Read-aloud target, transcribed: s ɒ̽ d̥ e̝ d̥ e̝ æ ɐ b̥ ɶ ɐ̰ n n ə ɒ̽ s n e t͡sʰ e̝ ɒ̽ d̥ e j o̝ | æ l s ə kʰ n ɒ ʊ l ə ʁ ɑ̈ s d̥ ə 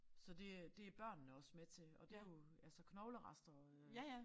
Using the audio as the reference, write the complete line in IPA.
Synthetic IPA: s ɒ̽ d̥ e̝ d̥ e̝ æ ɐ b̥ ɶ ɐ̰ n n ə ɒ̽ s m e t͡sʰ e̝ ɒ̽ d̥ e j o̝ | æ l s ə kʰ n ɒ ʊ l ə ʁ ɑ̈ s d̥ ɐ